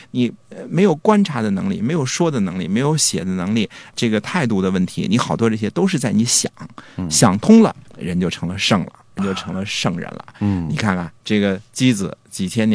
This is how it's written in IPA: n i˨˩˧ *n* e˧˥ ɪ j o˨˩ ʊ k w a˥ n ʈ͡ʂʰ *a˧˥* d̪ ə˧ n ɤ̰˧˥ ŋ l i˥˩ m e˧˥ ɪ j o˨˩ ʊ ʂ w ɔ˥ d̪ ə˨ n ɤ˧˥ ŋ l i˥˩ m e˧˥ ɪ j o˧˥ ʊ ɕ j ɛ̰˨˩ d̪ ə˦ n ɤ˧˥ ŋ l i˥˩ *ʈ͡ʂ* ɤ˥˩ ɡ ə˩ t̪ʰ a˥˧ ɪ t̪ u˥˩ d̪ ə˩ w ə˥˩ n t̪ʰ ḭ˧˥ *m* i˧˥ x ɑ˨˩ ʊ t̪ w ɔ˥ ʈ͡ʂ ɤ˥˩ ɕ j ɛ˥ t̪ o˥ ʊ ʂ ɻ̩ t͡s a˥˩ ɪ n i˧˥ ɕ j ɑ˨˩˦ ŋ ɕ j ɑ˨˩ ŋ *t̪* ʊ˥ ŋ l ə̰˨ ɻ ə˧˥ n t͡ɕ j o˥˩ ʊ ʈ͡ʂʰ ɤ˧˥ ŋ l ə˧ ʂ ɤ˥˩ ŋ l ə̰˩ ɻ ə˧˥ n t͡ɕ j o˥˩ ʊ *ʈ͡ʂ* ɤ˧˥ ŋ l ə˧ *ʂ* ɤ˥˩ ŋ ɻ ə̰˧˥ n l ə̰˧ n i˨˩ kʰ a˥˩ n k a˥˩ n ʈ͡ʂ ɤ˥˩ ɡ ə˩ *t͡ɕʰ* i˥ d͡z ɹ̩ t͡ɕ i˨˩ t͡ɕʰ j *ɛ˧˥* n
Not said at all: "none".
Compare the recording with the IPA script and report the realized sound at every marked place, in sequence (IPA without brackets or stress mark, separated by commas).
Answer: m, a˧˥, ʈ͡ʂ, n, t̪ʰ, ʈ͡ʂʰ, ʂ, t͡ɕ, ɛ˥